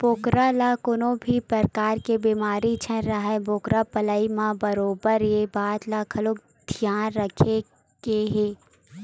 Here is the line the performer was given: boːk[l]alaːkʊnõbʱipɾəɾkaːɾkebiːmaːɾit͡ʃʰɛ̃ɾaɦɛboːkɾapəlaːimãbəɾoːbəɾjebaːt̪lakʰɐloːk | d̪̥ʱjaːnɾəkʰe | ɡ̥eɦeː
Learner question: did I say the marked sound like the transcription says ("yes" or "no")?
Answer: no